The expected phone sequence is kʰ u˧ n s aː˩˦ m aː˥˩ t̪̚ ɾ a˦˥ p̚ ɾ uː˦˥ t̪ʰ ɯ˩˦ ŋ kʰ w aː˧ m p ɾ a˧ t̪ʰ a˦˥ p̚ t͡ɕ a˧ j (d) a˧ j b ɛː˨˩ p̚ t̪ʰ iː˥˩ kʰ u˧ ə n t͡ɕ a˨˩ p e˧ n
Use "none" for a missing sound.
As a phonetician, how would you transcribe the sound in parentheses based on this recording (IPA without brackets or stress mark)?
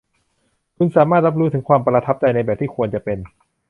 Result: n